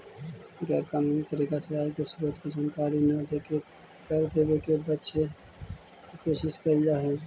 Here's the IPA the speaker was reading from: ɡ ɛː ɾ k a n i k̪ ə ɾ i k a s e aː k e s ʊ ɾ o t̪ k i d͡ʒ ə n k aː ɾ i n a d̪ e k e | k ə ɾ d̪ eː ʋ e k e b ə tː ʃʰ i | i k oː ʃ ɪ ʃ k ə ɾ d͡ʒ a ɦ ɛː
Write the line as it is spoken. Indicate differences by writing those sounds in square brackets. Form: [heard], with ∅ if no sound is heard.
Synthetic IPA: ɡ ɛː ɾ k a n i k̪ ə ɾ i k a s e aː k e s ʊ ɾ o t̪ k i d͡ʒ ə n k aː ɾ i n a d̪ e k e | k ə ɾ d̪ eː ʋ e k e b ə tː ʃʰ [e] | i k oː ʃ ɪ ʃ k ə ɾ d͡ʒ a ɦ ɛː